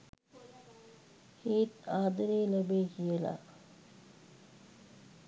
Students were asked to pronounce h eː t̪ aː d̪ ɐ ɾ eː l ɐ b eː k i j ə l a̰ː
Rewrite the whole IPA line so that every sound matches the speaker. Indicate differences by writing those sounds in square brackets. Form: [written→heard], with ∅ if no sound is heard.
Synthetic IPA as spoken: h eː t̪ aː d̪ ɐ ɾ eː l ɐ b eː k i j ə l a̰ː